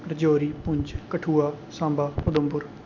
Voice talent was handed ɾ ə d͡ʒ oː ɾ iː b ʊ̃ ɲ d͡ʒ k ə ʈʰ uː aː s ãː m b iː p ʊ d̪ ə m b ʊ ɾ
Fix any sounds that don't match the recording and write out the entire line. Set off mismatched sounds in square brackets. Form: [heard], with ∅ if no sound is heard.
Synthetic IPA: ɾ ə d͡ʒ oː ɾ iː [p] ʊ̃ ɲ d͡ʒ k ə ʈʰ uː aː s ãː m b [aː] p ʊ d̪ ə m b ʊ ɾ